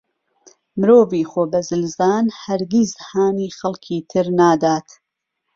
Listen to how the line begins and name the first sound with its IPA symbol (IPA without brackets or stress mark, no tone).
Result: m